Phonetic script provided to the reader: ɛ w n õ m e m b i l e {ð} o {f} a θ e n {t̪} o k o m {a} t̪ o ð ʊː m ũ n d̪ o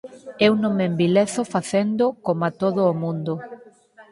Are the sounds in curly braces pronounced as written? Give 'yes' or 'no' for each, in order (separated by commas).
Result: no, yes, no, yes